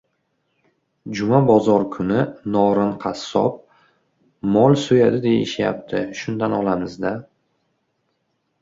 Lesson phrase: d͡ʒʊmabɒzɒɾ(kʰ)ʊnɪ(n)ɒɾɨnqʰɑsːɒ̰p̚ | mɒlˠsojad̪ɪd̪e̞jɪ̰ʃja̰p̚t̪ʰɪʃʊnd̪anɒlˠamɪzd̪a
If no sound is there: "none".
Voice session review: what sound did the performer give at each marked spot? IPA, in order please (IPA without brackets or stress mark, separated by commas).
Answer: kʰ, n